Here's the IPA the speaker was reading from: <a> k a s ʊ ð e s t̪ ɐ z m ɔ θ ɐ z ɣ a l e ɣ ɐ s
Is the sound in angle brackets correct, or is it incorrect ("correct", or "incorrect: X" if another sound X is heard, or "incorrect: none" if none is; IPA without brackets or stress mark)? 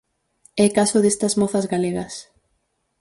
incorrect: ɛ